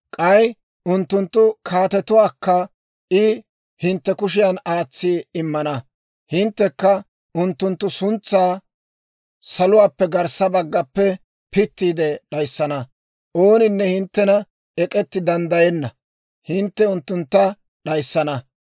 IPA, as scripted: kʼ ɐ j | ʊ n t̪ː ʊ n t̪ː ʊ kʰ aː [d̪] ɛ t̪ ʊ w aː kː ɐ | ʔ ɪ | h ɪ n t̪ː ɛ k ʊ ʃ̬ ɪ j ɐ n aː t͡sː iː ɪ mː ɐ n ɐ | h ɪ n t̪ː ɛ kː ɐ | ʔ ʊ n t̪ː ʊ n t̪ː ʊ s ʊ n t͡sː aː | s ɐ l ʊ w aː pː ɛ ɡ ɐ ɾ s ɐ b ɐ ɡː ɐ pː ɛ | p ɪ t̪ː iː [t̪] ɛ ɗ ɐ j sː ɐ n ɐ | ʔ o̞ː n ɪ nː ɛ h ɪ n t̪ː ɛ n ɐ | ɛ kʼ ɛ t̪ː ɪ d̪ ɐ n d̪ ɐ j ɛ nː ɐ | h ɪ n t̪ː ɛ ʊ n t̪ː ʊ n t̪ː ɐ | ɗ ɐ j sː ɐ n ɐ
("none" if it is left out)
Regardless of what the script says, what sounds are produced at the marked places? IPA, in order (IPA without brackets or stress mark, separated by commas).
t̪, d̪